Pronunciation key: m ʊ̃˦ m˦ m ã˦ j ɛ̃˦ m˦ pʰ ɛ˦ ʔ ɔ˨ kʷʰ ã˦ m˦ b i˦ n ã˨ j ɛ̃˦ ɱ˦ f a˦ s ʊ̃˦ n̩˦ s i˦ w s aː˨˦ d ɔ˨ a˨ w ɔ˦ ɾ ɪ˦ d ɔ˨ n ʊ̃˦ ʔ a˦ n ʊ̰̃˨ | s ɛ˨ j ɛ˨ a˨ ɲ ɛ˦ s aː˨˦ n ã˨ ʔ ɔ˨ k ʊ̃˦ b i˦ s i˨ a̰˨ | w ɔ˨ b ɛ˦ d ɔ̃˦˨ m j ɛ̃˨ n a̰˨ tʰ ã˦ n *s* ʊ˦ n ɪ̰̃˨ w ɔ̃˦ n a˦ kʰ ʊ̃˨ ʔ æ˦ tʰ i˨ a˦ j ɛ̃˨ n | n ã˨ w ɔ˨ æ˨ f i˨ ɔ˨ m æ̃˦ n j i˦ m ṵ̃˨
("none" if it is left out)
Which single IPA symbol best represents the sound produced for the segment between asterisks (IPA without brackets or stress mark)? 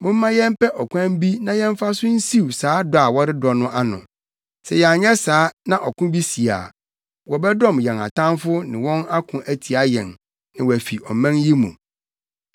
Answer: f